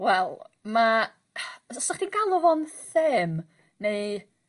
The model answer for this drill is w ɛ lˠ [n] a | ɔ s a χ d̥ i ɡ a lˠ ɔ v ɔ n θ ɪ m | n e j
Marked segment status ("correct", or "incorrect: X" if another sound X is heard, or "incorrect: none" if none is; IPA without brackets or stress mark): incorrect: m